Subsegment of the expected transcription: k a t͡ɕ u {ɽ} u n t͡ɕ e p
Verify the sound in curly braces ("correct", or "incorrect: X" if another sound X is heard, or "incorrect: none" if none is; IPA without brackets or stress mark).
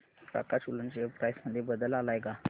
incorrect: l